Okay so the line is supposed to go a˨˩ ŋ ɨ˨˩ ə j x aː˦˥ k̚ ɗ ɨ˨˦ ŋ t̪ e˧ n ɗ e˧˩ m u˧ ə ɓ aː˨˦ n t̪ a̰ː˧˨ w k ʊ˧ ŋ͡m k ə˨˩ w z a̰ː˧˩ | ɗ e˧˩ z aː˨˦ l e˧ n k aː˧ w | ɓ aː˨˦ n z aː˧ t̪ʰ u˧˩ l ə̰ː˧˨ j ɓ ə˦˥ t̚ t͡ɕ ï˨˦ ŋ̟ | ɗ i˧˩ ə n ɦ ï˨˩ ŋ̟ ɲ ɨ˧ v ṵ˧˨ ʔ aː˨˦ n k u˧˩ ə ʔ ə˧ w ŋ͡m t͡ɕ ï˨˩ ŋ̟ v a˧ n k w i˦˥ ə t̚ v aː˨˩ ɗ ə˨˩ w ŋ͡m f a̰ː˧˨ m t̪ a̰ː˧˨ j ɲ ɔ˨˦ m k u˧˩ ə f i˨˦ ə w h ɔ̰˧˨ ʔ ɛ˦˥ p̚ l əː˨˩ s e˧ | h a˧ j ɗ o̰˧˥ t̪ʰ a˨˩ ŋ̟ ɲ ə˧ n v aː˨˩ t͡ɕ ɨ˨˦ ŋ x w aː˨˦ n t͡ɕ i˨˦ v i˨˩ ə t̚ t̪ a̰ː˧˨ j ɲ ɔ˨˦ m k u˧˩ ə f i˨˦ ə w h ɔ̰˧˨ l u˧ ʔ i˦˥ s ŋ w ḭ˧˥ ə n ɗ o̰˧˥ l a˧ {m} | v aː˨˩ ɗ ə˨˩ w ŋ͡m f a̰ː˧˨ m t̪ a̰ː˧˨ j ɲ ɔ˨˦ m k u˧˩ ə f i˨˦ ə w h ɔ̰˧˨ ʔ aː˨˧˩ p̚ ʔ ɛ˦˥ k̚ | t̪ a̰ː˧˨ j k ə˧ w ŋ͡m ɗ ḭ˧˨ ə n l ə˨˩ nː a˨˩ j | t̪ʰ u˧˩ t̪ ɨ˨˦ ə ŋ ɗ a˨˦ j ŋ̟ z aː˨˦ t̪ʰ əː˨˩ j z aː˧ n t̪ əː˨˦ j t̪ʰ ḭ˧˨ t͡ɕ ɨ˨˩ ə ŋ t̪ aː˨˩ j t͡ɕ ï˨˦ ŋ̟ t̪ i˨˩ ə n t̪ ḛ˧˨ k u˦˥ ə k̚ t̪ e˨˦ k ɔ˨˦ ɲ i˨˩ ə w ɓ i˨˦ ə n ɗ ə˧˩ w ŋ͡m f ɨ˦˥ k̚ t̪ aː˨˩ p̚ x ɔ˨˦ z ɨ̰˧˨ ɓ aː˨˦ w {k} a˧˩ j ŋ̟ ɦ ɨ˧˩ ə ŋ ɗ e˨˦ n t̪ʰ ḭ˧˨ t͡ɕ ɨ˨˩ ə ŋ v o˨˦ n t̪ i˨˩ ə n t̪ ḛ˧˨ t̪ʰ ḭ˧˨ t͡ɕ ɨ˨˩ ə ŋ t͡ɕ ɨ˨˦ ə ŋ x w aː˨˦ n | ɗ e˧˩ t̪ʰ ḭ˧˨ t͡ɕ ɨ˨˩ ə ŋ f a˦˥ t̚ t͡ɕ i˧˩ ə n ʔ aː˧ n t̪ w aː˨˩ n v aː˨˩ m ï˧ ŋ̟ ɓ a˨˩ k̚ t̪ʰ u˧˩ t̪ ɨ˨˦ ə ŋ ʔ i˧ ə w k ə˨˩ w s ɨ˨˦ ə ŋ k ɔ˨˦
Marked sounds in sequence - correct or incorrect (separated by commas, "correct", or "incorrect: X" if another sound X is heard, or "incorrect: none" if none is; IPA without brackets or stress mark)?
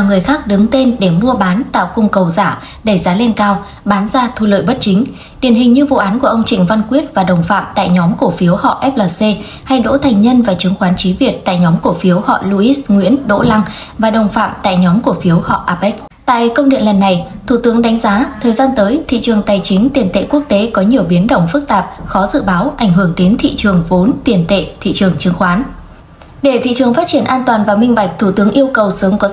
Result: incorrect: ŋ, incorrect: ʔ